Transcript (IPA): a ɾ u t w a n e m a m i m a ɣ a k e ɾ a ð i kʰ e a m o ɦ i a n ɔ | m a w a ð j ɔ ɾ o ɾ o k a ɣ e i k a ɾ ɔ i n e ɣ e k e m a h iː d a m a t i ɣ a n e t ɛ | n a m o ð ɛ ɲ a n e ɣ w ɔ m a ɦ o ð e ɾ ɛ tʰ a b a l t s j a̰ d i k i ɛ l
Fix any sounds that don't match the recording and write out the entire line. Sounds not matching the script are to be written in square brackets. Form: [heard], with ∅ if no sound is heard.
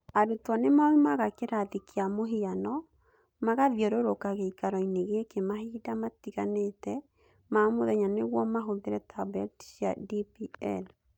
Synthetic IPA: a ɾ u t w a n e m a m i m a ɣ a k e ɾ a ð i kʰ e a m o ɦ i a n ɔ | m a [ɣ] a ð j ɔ ɾ o ɾ o k a ɣ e i k a ɾ ɔ i n e ɣ e k e m a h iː d a m a t i ɣ a n e t ɛ | [m] a m o ð ɛ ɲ a n e ɣ w ɔ m a ɦ o ð e ɾ ɛ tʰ a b [ɛ] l t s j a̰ d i [p] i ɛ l